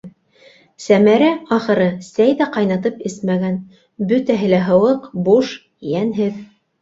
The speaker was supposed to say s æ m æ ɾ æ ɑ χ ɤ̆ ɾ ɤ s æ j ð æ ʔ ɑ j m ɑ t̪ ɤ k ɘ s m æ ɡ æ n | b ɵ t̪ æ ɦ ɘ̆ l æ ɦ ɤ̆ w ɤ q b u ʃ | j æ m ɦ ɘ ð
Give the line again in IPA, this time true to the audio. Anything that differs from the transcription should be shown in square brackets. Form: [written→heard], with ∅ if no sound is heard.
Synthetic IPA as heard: s æ m æ ɾ æ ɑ χ ɤ̆ ɾ ɤ s æ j ð æ [ʔ→q] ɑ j [m→n] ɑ t̪ ɤ [k→p] ɘ s m æ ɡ æ n | b ɵ t̪ æ ɦ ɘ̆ l æ ɦ ɤ̆ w ɤ q b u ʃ | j æ [m→n] ɦ ɘ ð